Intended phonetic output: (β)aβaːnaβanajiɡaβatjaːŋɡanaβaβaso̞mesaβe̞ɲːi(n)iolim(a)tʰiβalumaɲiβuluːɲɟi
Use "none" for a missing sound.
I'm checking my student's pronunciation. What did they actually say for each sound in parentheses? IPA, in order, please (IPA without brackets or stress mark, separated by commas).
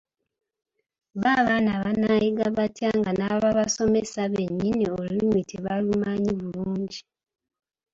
β, n, i